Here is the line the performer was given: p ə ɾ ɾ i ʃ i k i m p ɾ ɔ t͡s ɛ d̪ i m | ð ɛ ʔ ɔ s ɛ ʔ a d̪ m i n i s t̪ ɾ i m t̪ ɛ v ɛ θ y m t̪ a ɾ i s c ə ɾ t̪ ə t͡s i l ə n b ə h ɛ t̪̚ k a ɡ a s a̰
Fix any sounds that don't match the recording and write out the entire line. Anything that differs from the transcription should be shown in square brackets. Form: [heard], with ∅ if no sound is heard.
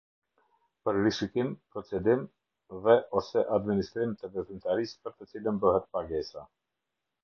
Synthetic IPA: p ə ɾ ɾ i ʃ i k i m p ɾ ɔ t͡s ɛ d̪ i m | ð ɛ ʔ ɔ s ɛ ʔ a d̪ m i n i s t̪ ɾ i m t̪ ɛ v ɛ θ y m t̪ a ɾ i s [p] ə ɾ t̪ ə t͡s i l ə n b ə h ɛ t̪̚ [p] a ɡ [ɛ] s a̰